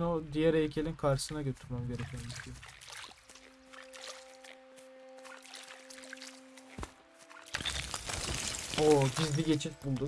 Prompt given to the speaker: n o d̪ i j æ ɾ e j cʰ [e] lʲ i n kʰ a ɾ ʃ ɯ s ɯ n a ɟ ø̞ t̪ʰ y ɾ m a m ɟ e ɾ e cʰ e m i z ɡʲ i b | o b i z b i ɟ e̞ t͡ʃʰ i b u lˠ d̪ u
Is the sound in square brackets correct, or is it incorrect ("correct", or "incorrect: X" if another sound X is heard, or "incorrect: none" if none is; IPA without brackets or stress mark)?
correct